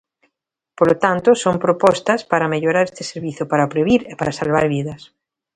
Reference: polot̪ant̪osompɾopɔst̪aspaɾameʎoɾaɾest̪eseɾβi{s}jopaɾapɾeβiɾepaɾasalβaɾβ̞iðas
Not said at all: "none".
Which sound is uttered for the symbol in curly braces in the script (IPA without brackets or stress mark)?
θ